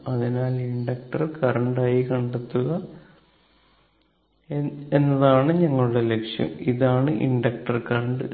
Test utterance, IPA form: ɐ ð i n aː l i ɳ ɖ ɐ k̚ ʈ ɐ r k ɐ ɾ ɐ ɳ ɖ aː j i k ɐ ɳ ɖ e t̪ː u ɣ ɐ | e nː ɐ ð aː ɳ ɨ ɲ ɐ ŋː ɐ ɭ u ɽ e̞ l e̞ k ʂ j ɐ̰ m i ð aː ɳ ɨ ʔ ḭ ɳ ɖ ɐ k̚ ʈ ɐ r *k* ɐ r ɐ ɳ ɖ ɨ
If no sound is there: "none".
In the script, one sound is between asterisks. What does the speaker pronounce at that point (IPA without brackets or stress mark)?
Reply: k